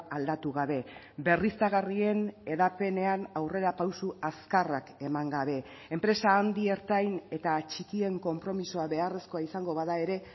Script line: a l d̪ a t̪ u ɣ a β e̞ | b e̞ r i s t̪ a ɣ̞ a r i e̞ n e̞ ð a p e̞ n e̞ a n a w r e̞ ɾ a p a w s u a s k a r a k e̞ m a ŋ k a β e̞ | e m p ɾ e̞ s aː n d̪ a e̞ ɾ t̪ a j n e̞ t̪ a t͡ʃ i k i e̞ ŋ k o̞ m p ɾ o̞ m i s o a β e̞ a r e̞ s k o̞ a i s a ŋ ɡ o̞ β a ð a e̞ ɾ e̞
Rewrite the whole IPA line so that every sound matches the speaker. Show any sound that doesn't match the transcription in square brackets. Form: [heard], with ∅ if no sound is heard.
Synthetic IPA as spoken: a l d̪ a t̪ u ɣ a β e̞ | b e̞ r i s t̪ a ɣ̞ a r i e̞ n e̞ ð a p e̞ n e̞ a n a w r e̞ ɾ a p a w s u a s k a r a k e̞ m a ŋ [ɡ] a β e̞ | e m p ɾ e̞ s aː n d̪ [i] e̞ ɾ t̪ a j n e̞ t̪ a t͡ʃ i k i e̞ ŋ k o̞ m p ɾ o̞ m i s o a β e̞ a r e̞ s k o̞ a i s a ŋ ɡ o̞ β a ð a e̞ ɾ e̞

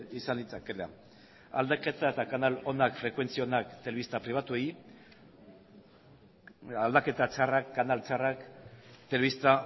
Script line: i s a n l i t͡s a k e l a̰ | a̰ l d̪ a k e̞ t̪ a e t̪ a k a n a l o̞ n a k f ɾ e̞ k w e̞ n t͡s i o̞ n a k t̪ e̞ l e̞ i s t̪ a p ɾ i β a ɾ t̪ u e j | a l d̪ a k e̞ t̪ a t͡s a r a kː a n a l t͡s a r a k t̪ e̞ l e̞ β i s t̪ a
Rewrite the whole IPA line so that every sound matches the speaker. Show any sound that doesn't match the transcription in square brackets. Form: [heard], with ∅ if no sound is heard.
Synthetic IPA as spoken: i s a n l i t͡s a k e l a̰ | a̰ l d̪ a k e̞ t̪ a e t̪ a k a n a l o̞ n a k f ɾ e̞ k w e̞ n t͡s i o̞ n a k t̪ e̞ l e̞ i s t̪ a p ɾ i β a [∅] t̪ u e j | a l d̪ a k e̞ t̪ a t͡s a r a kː a n a l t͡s a r a k t̪ e̞ l e̞ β i s t̪ a

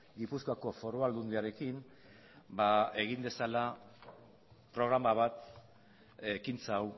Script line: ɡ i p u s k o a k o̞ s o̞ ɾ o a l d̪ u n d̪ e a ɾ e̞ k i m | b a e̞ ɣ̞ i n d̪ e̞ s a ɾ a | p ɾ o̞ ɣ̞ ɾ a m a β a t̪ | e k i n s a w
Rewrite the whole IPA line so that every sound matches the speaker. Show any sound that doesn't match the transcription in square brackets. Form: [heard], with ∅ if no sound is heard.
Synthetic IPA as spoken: ɡ i p u s k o a k o̞ [f] o̞ ɾ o a l d̪ u n d̪ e a ɾ e̞ k i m | b a e̞ ɣ̞ i n d̪ e̞ s a [l] a | p ɾ o̞ ɣ̞ ɾ a m a β a t̪ | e k i n [t͡s] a w

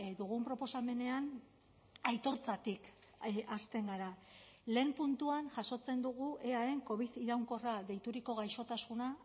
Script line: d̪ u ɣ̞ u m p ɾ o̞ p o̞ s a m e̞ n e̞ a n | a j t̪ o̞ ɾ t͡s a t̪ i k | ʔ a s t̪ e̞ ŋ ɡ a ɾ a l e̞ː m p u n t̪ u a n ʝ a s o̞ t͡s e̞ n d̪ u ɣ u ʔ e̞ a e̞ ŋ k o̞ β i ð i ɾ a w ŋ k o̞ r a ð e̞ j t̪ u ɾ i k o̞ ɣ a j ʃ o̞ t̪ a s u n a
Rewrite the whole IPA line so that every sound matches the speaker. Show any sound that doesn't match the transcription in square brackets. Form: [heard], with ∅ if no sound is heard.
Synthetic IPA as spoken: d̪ u ɣ̞ u m p ɾ o̞ p o̞ s a m e̞ n e̞ a n | a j t̪ o̞ ɾ t͡s a t̪ i k | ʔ a s t̪ e̞ ŋ ɡ a ɾ a l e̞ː m p u n t̪ u a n ʝ a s o̞ t͡s e̞ n d̪ u ɣ u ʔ e̞ a e̞ ŋ k o̞ β i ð i ɾ a w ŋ k o̞ r a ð e̞ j t̪ u ɾ i k o̞ ɣ a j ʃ o̞ t̪ a s u n a

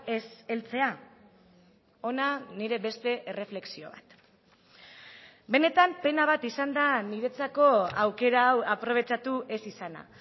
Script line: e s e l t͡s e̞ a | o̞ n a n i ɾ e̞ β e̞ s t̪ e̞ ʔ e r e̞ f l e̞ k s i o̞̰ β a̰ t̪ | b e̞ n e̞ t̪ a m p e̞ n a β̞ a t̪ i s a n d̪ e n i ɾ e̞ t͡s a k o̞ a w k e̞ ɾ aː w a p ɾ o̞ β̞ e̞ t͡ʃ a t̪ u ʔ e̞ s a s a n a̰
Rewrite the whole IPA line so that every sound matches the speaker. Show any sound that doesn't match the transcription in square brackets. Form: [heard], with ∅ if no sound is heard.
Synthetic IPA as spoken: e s e l t͡s e̞ a | o̞ n a n i ɾ e̞ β e̞ s t̪ e̞ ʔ e r e̞ f l e̞ k s i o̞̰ β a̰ t̪ | b e̞ n e̞ t̪ a m p e̞ n a β̞ a t̪ i s a n d̪ [a] n i ɾ e̞ t͡s a k o̞ a w k e̞ ɾ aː w a p ɾ o̞ β̞ e̞ t͡ʃ a t̪ u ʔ e̞ s [i] s a n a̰

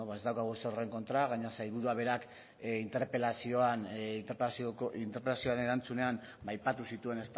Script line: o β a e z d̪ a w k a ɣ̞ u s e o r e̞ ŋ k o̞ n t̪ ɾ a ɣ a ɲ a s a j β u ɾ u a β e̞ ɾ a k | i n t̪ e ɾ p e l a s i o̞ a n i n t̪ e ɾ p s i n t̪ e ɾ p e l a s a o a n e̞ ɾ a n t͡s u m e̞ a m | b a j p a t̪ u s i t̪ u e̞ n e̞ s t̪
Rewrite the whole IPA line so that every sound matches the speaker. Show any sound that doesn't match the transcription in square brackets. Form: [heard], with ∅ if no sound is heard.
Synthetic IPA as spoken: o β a e z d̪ a w k a ɣ̞ u s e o r e̞ ŋ k o̞ n t̪ ɾ a ɣ a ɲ a s a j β u ɾ u a β e̞ ɾ a k | i n t̪ e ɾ p e l a s i o̞ a n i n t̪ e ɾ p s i n t̪ e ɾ p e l a s [i] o a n e̞ ɾ a n t͡s u [n] e̞ a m | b a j p a t̪ u s i t̪ u e̞ n e̞ s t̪

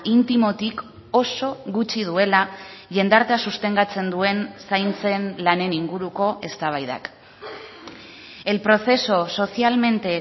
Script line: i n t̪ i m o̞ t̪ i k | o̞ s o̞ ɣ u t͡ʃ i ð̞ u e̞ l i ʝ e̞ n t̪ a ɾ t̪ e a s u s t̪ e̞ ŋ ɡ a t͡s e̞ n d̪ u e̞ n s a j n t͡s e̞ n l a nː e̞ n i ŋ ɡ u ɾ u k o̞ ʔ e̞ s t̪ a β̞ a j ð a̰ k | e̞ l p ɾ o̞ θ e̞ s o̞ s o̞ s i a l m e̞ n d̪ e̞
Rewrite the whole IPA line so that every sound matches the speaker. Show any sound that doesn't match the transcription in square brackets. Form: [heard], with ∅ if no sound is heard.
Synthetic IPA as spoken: i n t̪ i m o̞ t̪ i k | o̞ s o̞ ɣ u t͡ʃ i ð̞ u e̞ l [a] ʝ e̞ n [d̪] a ɾ t̪ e a s u s t̪ e̞ ŋ ɡ a t͡s e̞ n d̪ u e̞ n s a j n t͡s e̞ n l a [n] e̞ n i ŋ ɡ u ɾ u k o̞ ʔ e̞ s t̪ a β̞ a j ð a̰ k | e̞ l p ɾ o̞ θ e̞ s o̞ s o̞ s i a l m e̞ n [t̪] e̞

